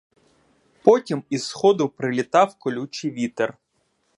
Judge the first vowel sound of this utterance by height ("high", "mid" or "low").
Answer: mid